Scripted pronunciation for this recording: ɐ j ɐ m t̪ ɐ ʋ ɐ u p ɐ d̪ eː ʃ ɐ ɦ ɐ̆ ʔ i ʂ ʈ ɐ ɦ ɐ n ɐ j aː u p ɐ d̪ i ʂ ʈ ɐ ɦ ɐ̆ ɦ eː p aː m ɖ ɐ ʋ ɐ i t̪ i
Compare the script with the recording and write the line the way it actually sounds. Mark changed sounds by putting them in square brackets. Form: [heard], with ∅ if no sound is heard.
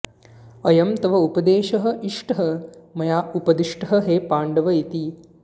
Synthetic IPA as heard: ɐ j ɐ m t̪ ɐ ʋ ɐ u p ɐ d̪ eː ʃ ɐ ɦ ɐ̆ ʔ i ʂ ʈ ɐ ɦ ɐ [m] ɐ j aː u p ɐ d̪ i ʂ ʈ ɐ ɦ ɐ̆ ɦ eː p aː [ɳ] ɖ ɐ ʋ ɐ i t̪ i